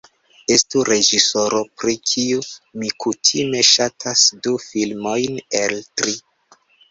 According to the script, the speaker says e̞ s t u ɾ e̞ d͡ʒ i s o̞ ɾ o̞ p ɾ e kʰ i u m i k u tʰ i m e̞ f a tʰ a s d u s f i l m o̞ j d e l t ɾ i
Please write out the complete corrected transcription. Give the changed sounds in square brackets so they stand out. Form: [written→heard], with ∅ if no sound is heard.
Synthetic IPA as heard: e̞ s t u ɾ e̞ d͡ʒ i s o̞ ɾ o̞ p ɾ [e→i] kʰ i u m i k u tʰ i m e̞ [f→ʃ] a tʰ a s d u [s→∅] f i l m o̞ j [d→n] e l t ɾ i